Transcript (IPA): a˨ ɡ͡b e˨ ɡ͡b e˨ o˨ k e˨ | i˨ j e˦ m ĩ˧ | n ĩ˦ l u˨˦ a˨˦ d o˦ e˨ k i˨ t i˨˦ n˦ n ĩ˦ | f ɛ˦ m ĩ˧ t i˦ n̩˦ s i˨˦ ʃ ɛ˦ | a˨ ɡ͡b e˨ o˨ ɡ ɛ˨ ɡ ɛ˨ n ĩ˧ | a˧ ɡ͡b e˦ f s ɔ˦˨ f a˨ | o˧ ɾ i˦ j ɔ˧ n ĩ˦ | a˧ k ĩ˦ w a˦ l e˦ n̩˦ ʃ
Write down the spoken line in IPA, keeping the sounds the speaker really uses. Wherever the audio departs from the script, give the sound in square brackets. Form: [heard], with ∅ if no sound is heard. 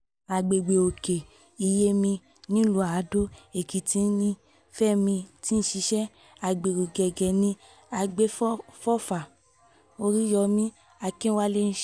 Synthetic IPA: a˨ ɡ͡b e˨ ɡ͡b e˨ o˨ k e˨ | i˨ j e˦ m ĩ˧ | n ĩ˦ l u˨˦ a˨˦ d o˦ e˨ k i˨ t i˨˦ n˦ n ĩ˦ | f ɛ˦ m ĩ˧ t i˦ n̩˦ [ʃ] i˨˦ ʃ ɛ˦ | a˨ ɡ͡b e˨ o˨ ɡ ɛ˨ ɡ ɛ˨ n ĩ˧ | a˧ ɡ͡b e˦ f [f] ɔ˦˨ f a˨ | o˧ ɾ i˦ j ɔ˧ [m] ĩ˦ | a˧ k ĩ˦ w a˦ l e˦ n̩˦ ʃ